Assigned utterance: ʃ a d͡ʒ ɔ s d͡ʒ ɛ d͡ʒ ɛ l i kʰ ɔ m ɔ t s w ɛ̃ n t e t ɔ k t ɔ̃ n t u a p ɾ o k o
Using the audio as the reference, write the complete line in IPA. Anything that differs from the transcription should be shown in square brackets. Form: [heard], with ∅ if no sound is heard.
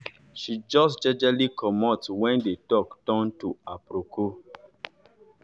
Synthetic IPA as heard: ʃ [i] d͡ʒ ɔ s d͡ʒ ɛ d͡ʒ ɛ l i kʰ ɔ m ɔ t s w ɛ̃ n [d] e t ɔ k t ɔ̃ n t u a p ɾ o k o